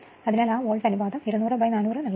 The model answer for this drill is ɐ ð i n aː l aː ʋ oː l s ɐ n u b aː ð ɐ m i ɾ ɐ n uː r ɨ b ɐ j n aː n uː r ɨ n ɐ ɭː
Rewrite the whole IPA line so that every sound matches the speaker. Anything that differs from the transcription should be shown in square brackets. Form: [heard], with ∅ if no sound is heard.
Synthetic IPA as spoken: ɐ ð i n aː l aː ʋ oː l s ɐ n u b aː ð ɐ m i ɾ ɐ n uː r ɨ b ɐ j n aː n uː r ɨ n ɐ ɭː